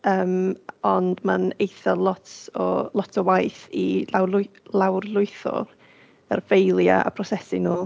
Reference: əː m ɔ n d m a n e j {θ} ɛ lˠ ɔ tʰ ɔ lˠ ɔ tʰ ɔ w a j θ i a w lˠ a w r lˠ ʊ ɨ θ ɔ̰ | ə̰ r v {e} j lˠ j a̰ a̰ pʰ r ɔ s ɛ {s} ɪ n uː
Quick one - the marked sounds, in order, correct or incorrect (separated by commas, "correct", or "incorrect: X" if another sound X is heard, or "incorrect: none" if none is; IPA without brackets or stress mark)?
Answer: correct, correct, correct